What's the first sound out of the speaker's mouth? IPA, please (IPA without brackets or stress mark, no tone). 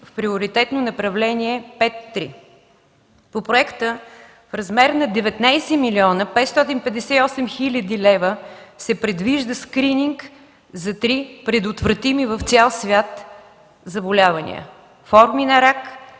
f